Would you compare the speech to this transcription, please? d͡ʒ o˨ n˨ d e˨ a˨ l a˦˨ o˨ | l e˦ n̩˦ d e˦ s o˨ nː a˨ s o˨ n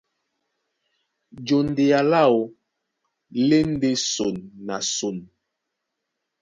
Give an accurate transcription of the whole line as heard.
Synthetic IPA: d͡ʒ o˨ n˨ d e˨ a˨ l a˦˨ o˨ | l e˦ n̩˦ d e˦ s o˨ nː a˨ s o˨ n